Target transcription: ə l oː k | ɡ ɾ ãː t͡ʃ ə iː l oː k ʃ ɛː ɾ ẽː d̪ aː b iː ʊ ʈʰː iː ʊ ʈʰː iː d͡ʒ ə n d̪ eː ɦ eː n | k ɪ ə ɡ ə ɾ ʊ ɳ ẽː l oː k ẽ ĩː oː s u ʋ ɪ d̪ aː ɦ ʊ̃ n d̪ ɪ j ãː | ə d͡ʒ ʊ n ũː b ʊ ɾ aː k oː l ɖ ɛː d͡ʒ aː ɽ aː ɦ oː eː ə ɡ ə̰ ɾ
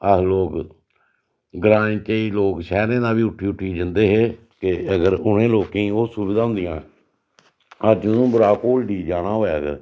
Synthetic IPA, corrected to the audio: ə l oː k | ɡ ɾ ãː t͡ʃ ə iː l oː k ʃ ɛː ɾ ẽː d̪ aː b iː ʊ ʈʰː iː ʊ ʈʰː iː d͡ʒ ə n d̪ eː ɦ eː | k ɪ ə ɡ ə ɾ ʊ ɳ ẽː l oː k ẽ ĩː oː s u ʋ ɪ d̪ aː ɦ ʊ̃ n d̪ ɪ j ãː | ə d͡ʒ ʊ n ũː b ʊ ɾ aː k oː l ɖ iː d͡ʒ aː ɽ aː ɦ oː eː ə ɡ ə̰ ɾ

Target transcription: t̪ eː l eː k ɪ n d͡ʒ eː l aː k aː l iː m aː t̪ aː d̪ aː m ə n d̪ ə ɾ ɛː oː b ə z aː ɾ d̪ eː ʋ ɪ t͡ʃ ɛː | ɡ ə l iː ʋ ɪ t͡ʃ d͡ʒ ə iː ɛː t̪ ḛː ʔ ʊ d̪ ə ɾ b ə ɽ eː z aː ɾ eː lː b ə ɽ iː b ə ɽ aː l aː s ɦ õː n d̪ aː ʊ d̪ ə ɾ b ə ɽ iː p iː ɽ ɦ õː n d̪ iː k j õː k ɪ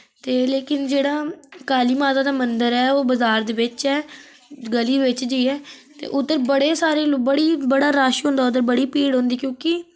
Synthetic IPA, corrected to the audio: t̪ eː l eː k ɪ n d͡ʒ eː ɽ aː k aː l iː m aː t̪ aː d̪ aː m ə n d̪ ə ɾ ɛː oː b ə z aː ɾ d̪ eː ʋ ɪ t͡ʃ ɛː | ɡ ə l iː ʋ ɪ t͡ʃ d͡ʒ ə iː ɛː t̪ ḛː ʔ ʊ d̪ ə ɾ b ə ɽ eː s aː ɾ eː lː b ə ɽ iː b ə ɽ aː ɾ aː ʃ ɦ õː n d̪ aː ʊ d̪ ə ɾ b ə ɽ iː p iː ɽ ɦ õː n d̪ iː k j õː k ɪ

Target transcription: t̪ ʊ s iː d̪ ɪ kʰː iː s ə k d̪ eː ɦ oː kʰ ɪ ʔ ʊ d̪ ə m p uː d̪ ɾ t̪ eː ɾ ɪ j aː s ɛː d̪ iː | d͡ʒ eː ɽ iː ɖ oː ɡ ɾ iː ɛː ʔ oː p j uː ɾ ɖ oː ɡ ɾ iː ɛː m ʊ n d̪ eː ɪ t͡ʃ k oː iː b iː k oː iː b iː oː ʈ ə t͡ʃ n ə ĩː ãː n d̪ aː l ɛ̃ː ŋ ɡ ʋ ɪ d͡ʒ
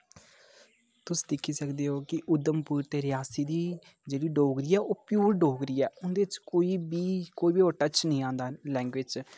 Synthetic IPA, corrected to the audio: t̪ ʊ s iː d̪ ɪ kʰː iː s ə k d̪ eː ɦ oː k ɪ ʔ ʊ d̪ ə m p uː ɾ t̪ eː ɾ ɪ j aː s iː d̪ iː | d͡ʒ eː ɽ iː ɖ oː ɡ ɾ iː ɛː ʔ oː p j uː ɾ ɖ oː ɡ ɾ iː ɛː ʊ n d̪ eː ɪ t͡ʃ k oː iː b iː k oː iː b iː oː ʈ ə t͡ʃ n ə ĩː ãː n d̪ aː l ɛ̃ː ŋ ɡ ʋ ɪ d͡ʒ

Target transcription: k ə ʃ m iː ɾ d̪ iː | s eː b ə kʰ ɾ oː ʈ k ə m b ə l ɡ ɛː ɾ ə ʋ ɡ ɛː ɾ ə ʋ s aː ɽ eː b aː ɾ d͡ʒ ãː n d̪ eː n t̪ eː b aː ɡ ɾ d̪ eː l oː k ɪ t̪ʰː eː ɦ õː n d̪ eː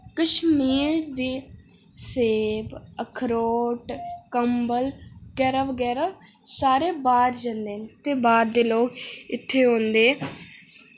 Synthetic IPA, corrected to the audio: k ə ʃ m iː ɾ d̪ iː | s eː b ə kʰ ɾ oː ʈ k ə m b ə l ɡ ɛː ɾ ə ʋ ɡ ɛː ɾ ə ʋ s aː ɾ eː b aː ɾ d͡ʒ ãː n d̪ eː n t̪ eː b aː ɾ d̪ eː l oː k ɪ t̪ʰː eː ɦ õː n d̪ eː

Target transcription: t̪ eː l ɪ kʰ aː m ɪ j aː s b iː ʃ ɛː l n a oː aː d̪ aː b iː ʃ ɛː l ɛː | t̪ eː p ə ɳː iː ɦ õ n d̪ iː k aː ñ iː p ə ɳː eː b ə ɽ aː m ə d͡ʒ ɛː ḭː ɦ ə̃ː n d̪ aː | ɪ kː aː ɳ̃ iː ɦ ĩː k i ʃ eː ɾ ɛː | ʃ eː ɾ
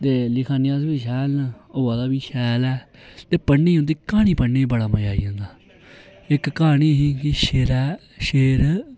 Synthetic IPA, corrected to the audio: t̪ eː l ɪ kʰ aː n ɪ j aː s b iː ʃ ɛː l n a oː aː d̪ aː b iː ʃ ɛː l ɛː | t̪ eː p ə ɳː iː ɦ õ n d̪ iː k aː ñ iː p ə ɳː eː b ə ɽ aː m ə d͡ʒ aː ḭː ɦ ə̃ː n d̪ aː | ɪ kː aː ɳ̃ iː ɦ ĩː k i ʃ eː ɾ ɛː | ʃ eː ɾ

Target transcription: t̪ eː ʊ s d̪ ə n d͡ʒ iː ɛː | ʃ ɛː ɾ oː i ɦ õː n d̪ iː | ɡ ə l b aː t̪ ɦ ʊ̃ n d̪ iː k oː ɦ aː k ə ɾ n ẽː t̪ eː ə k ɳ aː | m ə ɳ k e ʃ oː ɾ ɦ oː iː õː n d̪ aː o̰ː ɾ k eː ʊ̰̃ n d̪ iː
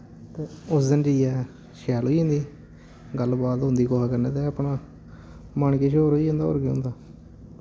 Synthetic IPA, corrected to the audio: t̪ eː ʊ s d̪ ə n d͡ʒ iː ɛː | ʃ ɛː l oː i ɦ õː n d̪ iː | ɡ ə l b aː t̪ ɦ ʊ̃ n d̪ iː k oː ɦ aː k ə ɾ n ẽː t̪ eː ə p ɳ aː | m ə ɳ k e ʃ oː ɾ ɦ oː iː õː n d̪ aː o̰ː ɾ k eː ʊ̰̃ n d̪ aː

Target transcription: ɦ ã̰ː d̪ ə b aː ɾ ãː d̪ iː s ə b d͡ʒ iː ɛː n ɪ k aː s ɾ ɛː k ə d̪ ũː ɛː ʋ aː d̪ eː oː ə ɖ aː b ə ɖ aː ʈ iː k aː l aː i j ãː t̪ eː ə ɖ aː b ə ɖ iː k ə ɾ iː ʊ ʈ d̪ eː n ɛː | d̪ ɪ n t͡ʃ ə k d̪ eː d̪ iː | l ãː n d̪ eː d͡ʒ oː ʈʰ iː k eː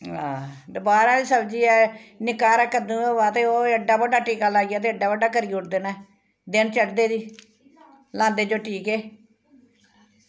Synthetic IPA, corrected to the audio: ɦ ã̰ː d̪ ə b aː ɾ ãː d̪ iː s ə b d͡ʒ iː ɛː n ɪ k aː ɾ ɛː k ə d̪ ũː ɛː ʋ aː t̪ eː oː ə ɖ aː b ə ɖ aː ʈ iː k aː l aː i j aː t̪ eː ə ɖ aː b ə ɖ aː k ə ɾ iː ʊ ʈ d̪ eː n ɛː | d̪ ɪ n t͡ʃ ə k d̪ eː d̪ iː | l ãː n d̪ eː d͡ʒ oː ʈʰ iː k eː

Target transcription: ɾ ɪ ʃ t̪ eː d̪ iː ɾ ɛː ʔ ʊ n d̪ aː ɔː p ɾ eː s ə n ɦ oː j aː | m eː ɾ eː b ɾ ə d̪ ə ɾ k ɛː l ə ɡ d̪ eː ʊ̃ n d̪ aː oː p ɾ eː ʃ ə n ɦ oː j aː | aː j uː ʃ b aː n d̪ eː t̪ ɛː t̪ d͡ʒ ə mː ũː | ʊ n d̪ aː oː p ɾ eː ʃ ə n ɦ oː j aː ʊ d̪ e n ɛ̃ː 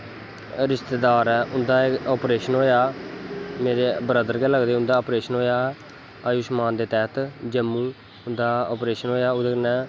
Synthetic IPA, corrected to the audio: ɾ ɪ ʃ t̪ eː d̪ aː ɾ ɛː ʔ ʊ n d̪ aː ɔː p ɾ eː ʃ ə n ɦ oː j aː | m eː ɾ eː b ɾ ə d̪ ə ɾ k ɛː l ə ɡ d̪ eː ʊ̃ n d̪ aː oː p ɾ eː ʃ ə n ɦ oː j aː | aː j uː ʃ m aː n d̪ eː t̪ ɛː t̪ d͡ʒ ə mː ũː | ʊ n d̪ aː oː p ɾ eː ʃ ə n ɦ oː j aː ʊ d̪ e n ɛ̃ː

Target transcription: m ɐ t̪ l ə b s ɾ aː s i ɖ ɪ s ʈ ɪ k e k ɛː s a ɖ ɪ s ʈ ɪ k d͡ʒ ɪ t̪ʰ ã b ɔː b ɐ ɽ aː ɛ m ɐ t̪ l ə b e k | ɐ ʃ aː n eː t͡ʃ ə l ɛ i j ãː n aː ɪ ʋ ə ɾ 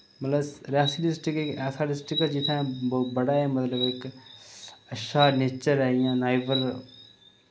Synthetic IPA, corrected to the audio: m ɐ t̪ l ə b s ɾ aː s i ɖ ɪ s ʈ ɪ k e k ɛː s a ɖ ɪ s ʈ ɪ k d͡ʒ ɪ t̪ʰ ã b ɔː b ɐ ɽ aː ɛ m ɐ t̪ l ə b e k | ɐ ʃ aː n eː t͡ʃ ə ɾ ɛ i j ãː n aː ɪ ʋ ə ɾ

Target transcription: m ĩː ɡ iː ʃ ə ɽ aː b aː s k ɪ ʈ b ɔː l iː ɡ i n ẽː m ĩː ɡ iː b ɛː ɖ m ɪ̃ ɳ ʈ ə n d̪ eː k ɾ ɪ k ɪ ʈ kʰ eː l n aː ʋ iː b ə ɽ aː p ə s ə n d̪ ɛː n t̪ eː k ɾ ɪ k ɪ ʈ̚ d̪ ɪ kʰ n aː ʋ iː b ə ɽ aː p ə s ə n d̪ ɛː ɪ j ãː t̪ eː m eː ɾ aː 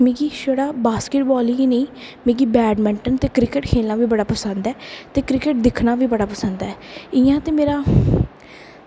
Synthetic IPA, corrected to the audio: m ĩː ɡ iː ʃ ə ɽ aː b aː s k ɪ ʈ b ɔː l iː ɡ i n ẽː m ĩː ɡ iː b ɛː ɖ m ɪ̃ ɳ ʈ ə n t̪ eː k ɾ ɪ k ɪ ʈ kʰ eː l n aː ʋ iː b ə ɽ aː p ə s ə n d̪ ɛː t̪ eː k ɾ ɪ k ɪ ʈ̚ d̪ ɪ kʰ n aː ʋ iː b ə ɽ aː p ə s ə n d̪ ɛː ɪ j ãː t̪ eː m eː ɾ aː

